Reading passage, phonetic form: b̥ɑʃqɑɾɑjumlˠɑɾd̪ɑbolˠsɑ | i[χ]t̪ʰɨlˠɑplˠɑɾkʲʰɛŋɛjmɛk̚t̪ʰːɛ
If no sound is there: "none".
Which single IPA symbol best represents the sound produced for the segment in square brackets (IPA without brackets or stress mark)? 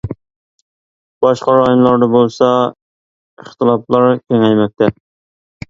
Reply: χ